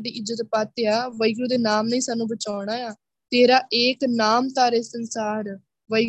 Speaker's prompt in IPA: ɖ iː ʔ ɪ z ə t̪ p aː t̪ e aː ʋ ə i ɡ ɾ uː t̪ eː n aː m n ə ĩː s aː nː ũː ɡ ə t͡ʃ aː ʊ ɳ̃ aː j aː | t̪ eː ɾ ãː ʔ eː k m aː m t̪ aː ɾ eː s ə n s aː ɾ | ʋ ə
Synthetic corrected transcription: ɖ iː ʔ ɪ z ə t̪ p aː t̪ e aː ʋ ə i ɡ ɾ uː d̪ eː n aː m n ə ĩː s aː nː ũː b ə t͡ʃ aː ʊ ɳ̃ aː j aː | t̪ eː ɾ aː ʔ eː k n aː m t̪ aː ɾ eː s ə n s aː ɾ | ʋ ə